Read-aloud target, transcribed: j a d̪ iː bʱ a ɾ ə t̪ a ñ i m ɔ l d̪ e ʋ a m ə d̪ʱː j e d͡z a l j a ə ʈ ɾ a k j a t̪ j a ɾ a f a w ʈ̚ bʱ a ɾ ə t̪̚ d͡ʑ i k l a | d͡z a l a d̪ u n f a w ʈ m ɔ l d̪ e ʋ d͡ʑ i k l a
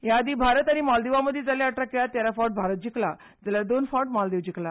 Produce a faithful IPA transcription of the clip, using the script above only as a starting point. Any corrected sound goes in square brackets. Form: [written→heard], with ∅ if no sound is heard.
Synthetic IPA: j a d̪ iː bʱ a ɾ ə t̪ a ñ i m ɔ l d̪ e ʋ a m ə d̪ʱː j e d͡z a l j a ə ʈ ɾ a k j a t̪ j a ɾ a f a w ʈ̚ bʱ a ɾ ə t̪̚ d͡ʑ i k l a | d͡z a l a d̪ [u→o] n f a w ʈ m ɔ l d̪ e ʋ d͡ʑ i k l a

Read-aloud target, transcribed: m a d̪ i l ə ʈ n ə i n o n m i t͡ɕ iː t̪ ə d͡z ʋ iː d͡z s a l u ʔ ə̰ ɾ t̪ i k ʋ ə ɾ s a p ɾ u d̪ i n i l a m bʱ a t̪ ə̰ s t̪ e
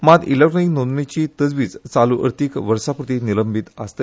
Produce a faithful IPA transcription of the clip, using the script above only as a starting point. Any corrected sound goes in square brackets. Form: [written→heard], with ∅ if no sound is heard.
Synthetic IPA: m a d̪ i l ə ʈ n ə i n o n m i t͡ɕ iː t̪ ə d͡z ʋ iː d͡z [s→t͡s] a l u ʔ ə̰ ɾ t̪ i k ʋ ə ɾ s a p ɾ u [d̪→t̪] i n i l [a→ə] m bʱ [a→i] t̪ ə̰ s t̪ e

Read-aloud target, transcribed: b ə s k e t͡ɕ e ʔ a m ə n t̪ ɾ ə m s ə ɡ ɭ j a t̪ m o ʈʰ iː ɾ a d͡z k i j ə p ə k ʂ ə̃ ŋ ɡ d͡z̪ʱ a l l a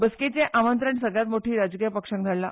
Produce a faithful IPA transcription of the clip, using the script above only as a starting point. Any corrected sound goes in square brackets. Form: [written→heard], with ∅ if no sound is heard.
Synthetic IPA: b ə s k e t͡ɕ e ʔ a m ə n t̪ ɾ ə [m→ɳ] s ə ɡ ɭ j a t̪ m o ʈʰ iː ɾ a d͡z k i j ə p ə k ʂ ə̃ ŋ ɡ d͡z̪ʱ a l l a

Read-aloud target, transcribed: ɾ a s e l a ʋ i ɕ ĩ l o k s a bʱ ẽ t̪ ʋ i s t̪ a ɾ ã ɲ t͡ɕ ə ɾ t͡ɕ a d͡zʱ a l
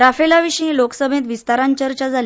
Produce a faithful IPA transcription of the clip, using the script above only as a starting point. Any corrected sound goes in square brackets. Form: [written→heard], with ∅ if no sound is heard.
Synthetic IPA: ɾ a [s→f] e l a ʋ i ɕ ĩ l o k s [a→ə] bʱ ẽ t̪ ʋ i s t̪ a ɾ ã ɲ t͡ɕ ə ɾ t͡ɕ a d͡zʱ a l

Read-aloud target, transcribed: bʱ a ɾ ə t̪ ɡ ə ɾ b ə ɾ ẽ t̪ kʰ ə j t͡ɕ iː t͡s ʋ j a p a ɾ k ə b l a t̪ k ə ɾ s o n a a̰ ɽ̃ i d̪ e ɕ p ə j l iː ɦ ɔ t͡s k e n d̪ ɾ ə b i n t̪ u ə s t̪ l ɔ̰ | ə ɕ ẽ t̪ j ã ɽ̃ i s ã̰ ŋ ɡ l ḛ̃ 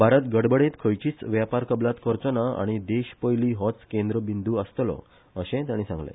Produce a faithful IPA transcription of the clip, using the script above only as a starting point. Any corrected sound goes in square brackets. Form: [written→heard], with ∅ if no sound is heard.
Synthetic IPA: bʱ a ɾ ə t̪ ɡ ə [ɾ→ɽ] b ə [ɾ→ɽ] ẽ t̪ kʰ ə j t͡ɕ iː t͡s ʋ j a p a ɾ k ə b l a t̪ k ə ɾ [s→t͡s] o n a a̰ ɽ̃ i d̪ e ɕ p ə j l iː ɦ ɔ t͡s k e n d̪ ɾ ə b i n [t̪→d̪] u ə s t̪ l ɔ̰ | ə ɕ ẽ t̪ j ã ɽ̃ i s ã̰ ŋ ɡ l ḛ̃

